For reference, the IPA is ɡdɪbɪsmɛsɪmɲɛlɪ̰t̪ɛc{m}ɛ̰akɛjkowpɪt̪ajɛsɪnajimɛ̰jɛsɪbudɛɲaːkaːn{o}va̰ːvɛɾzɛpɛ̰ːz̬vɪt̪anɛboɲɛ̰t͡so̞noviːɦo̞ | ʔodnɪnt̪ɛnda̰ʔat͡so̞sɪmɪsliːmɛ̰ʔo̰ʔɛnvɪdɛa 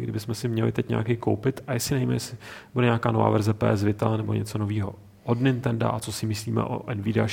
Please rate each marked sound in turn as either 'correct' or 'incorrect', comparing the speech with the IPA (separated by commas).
incorrect, correct